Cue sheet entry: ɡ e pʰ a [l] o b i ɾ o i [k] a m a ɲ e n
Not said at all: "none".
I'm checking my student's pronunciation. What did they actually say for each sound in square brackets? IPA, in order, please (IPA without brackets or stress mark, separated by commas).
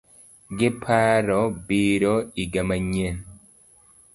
ɾ, ɡ